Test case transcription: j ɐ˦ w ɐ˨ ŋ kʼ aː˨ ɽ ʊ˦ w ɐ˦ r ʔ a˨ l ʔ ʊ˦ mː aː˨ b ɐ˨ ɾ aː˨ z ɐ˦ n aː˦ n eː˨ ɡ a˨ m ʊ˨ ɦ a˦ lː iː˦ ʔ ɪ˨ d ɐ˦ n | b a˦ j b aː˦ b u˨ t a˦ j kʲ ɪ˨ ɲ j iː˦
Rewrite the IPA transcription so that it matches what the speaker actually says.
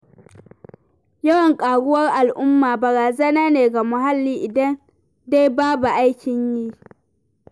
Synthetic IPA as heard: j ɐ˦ w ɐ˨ ŋ kʼ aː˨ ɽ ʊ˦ w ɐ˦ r ʔ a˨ l ʔ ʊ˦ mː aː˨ b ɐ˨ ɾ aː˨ z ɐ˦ n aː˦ n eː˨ ɡ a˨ m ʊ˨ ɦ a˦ lː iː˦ ʔ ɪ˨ d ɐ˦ n | d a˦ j b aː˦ b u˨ ʔ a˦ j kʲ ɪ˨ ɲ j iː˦